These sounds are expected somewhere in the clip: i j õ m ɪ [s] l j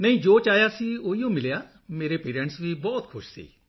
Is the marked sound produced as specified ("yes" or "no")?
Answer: no